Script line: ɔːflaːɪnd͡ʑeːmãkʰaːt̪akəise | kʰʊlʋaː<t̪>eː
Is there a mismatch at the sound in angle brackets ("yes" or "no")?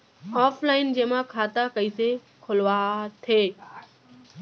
yes